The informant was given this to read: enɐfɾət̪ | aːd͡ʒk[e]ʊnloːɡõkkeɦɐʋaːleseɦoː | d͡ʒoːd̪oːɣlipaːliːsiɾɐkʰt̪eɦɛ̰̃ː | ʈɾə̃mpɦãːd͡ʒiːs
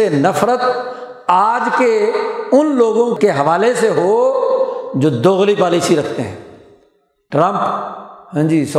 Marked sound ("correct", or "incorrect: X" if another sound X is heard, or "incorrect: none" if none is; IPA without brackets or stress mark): correct